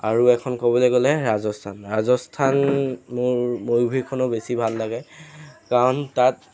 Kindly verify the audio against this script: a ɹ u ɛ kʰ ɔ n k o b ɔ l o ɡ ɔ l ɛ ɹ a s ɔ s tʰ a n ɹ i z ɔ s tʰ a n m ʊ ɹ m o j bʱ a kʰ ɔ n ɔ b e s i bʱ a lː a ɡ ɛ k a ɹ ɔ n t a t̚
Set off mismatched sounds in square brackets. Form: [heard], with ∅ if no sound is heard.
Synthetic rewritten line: a ɹ u ɛ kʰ ɔ n k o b ɔ l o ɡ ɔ l ɛ ɹ a [z] ɔ s tʰ a n ɹ [a] z ɔ s tʰ a n m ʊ ɹ m o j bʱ [i] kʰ ɔ n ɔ b e s i bʱ a lː a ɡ ɛ k a ɹ ɔ n t a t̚